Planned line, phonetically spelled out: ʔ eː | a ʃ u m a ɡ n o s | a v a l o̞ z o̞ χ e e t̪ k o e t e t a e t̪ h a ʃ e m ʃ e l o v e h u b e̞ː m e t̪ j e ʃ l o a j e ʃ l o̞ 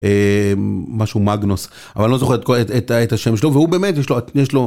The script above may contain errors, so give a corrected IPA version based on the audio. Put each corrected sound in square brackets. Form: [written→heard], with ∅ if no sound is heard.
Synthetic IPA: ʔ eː | a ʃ u m a ɡ n o s | a v a l o̞ z o̞ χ e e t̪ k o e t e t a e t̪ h a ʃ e m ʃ e l o v e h u b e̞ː m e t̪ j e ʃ l o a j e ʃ l o̞